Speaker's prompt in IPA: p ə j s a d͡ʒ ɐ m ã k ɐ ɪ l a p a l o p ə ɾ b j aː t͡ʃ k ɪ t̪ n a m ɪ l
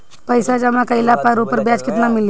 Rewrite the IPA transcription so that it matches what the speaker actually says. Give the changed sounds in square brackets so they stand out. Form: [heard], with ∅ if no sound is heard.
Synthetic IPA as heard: p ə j s a d͡ʒ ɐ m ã k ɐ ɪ l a p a [ɾ] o p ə ɾ b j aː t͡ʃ k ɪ t̪ n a m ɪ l